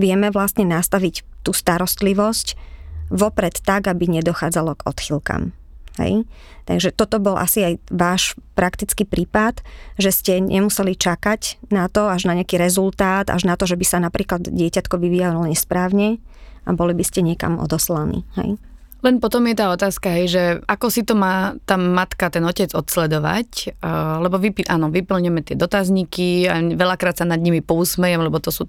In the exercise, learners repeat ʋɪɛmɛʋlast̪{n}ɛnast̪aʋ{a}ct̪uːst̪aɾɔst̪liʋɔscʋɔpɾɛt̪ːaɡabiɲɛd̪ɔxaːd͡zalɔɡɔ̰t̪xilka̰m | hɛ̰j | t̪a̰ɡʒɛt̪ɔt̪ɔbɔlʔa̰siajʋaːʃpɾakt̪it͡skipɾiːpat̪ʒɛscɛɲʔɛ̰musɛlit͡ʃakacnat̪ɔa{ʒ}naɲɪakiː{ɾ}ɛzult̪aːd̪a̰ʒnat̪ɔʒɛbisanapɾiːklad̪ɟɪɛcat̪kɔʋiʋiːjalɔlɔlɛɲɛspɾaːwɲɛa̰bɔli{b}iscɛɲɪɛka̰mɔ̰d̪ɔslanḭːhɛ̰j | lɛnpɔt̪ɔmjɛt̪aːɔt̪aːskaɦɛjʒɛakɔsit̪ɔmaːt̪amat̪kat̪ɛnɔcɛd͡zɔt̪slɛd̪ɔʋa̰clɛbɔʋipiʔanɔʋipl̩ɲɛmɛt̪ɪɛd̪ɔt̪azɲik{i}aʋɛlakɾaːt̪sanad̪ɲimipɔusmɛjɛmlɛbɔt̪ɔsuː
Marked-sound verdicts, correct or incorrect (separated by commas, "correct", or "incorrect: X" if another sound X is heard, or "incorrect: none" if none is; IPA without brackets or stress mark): incorrect: ɲ, incorrect: i, correct, correct, correct, correct